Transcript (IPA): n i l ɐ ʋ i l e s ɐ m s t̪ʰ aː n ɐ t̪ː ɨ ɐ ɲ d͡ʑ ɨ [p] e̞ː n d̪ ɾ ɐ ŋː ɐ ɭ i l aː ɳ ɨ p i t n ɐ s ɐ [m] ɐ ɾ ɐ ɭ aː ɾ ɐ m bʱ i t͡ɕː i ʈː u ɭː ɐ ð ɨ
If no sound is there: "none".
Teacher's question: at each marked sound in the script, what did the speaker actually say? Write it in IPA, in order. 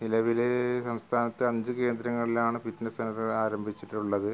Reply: k, n

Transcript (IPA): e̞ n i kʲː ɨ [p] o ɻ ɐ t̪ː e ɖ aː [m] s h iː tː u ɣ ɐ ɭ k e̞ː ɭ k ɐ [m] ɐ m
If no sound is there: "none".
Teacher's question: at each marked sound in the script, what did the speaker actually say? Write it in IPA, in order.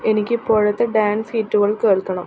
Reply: p, n, ɳ

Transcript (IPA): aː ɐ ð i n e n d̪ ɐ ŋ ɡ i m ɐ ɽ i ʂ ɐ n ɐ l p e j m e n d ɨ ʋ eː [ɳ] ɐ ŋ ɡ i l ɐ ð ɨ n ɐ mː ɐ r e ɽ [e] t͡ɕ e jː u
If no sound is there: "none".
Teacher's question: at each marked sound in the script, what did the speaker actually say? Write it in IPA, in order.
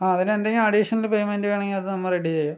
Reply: ɳ, i

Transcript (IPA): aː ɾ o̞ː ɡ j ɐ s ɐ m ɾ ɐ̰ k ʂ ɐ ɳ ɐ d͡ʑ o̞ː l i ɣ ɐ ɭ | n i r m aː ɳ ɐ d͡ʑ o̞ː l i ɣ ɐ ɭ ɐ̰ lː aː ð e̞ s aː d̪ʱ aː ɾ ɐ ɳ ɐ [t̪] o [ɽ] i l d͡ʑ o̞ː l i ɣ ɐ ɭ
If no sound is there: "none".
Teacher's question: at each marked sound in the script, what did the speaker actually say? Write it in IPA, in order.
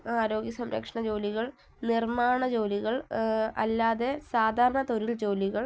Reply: t̪, ɾ

